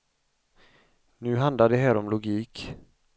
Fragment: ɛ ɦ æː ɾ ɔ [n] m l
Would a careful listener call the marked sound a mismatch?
yes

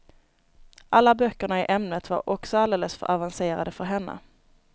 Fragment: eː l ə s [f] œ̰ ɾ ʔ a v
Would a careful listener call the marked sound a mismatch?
no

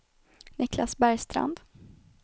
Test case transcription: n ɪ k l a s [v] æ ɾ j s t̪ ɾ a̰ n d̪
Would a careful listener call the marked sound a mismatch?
yes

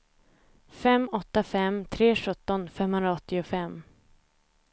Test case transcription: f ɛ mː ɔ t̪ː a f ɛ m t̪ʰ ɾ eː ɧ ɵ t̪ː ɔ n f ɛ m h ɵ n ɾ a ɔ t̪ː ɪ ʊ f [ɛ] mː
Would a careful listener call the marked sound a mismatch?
no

